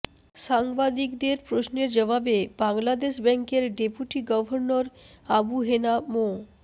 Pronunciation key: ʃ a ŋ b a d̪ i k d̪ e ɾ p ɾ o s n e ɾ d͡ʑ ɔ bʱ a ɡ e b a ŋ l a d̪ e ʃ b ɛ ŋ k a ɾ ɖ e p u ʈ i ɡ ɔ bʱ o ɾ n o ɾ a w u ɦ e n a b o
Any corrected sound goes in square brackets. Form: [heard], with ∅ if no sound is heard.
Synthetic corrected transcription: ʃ a ŋ b a d̪ i k d̪ e ɾ p ɾ o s n e ɾ d͡ʑ ɔ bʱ a [b] e b a ŋ l a d̪ e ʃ b ɛ ŋ k [e] ɾ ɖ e p u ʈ i ɡ ɔ bʱ o ɾ n o ɾ a [b] u ɦ e n a [m] o